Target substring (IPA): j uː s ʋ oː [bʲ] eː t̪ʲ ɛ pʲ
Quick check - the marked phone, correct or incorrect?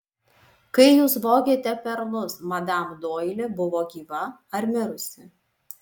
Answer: incorrect